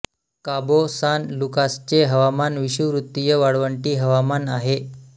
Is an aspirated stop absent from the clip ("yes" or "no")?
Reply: yes